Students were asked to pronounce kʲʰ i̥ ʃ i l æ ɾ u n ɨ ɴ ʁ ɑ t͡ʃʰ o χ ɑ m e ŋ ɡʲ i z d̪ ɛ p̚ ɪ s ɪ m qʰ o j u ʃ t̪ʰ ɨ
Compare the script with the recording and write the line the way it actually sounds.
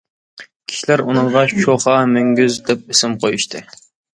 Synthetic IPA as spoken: kʲʰ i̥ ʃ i l æ ɾ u n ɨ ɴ ʁ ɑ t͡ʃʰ o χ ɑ m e ŋ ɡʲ y z d̪ ɛ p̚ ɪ s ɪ m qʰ o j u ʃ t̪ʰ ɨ